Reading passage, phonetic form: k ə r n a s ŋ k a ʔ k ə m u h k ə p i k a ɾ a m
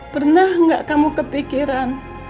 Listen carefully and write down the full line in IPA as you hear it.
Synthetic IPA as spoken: p ə r n a h ŋ ɡ a ʔ k a m u k ə p i k i ɾ a n